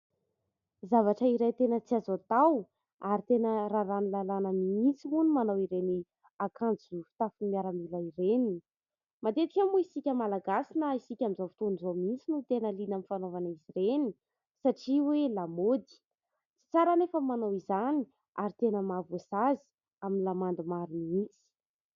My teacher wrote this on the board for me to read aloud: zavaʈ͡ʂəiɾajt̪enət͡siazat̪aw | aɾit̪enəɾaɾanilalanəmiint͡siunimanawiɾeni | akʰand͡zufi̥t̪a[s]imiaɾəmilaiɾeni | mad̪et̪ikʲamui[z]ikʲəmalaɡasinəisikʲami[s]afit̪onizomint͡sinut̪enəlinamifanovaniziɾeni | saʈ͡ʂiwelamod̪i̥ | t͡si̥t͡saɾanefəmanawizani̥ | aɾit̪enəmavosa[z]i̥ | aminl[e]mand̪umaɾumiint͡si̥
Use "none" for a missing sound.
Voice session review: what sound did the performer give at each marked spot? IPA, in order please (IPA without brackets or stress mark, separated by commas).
f, s, z, z, a